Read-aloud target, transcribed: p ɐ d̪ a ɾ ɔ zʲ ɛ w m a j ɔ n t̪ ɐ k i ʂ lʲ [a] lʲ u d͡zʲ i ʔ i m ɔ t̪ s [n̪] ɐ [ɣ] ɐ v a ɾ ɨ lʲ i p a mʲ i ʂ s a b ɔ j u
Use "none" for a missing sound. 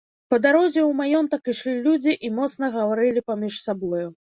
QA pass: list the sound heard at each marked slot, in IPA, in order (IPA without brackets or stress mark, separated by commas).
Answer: i, n̪, ɣ